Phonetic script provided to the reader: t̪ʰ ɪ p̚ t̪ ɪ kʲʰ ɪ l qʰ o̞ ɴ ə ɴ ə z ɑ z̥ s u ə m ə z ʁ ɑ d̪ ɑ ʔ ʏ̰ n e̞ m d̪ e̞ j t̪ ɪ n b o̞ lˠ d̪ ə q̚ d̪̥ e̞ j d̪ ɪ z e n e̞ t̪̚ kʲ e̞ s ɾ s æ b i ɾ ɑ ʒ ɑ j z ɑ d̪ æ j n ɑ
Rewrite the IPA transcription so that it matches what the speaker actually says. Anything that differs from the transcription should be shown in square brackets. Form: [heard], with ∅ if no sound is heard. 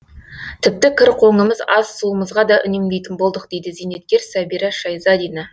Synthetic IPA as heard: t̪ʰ ɪ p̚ t̪ ɪ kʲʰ ɪ [ɾ] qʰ o̞ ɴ ə [m] ə z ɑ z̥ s u ə m ə z ʁ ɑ d̪ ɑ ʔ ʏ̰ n e̞ m d̪ e̞ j t̪ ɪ n b o̞ lˠ d̪ ə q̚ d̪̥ e̞ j d̪ ɪ z e n e̞ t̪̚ kʲ e̞ [∅] ɾ s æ b i ɾ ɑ [ʃ] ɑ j z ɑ d̪ [i] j n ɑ